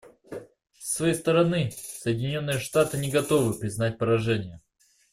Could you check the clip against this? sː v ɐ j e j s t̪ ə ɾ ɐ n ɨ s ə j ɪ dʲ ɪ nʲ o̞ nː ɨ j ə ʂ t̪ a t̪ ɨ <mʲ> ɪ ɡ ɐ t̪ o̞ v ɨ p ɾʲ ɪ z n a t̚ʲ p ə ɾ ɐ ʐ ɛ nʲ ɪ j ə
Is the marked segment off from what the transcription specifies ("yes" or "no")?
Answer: yes